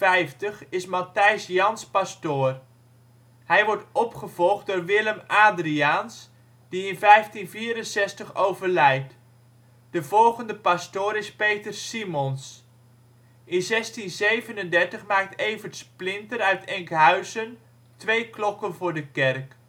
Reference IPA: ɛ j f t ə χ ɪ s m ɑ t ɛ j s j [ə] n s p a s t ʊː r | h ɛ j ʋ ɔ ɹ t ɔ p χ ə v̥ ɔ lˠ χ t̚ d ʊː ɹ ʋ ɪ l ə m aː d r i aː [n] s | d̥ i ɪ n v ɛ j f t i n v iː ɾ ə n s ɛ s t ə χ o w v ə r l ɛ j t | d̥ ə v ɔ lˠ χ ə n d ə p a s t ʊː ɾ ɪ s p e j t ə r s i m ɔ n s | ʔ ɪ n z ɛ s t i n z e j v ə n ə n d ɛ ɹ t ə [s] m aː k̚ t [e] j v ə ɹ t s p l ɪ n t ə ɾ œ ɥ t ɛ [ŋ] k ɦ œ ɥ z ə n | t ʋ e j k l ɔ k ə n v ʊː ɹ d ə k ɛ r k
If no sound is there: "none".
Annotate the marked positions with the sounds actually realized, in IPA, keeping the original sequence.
ɑ, n, χ, e, ŋ

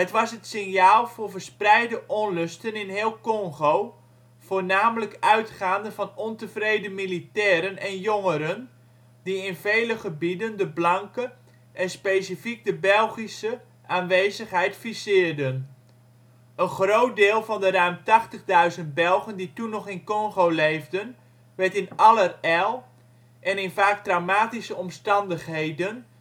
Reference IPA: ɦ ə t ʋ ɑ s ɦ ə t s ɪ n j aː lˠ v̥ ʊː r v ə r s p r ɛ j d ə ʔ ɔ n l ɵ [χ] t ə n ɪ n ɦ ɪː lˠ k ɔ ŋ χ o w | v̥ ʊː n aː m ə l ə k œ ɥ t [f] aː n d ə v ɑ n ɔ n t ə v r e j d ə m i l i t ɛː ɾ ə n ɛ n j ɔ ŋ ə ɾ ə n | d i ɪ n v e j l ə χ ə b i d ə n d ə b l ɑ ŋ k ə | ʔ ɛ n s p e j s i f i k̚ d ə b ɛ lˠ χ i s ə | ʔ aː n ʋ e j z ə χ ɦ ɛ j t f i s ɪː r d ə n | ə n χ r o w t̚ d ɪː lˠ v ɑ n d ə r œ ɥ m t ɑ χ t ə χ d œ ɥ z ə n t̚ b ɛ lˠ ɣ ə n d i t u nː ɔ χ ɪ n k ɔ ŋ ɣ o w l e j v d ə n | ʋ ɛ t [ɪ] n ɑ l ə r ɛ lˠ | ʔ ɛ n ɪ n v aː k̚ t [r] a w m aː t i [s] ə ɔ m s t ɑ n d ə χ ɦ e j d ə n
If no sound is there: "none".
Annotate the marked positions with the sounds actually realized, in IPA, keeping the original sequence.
s, χ, ɪ, r, s

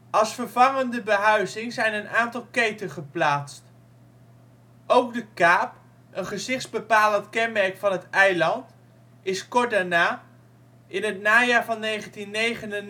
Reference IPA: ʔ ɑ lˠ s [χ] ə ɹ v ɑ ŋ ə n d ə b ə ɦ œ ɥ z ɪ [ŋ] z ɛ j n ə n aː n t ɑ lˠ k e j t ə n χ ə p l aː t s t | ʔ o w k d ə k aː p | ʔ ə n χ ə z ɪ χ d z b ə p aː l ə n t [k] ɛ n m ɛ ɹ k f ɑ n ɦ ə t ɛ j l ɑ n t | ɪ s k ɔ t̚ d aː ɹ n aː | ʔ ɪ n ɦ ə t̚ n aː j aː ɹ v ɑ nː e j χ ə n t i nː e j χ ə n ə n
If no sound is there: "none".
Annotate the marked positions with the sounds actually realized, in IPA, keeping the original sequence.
f, ŋ, k

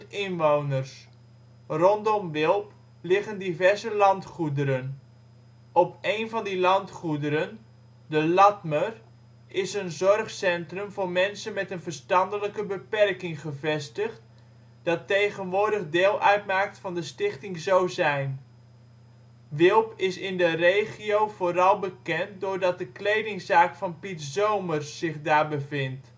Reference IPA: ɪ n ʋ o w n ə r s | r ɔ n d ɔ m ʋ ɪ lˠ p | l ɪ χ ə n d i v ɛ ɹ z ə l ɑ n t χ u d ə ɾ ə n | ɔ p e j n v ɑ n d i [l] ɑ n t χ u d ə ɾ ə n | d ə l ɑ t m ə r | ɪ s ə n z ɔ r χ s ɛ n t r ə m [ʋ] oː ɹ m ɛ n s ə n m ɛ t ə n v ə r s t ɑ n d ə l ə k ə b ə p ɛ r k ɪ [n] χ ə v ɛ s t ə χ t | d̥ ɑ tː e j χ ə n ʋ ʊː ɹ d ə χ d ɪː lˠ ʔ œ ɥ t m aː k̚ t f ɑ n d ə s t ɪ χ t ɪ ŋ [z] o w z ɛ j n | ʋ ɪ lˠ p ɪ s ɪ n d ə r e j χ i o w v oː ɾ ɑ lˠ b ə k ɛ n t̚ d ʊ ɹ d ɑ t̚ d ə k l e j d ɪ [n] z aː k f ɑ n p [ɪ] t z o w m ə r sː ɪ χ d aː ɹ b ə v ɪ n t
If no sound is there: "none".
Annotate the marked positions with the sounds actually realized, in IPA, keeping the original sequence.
l, v, ŋ, z, ŋ, i

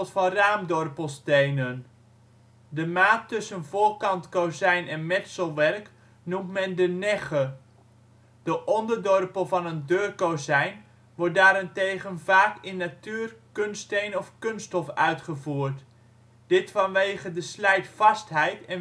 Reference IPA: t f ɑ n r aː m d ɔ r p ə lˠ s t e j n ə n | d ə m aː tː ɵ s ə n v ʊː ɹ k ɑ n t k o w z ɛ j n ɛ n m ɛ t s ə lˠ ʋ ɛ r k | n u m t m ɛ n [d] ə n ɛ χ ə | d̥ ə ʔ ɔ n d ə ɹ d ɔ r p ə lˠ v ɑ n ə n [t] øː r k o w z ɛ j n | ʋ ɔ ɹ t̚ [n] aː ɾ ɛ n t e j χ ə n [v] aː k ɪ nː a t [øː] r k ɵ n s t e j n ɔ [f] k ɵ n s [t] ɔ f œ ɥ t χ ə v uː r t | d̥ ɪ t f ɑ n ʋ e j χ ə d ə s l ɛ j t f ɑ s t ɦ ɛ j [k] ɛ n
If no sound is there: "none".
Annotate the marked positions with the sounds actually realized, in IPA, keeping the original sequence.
d, d, d, v, yː, f, t, t

